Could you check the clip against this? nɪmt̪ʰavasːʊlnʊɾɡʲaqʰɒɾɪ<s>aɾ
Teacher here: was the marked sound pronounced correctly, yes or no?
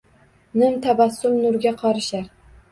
no